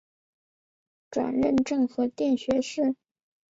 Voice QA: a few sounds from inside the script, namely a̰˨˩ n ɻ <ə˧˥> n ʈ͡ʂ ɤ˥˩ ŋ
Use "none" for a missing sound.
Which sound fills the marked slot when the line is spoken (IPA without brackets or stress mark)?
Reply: ə˥˧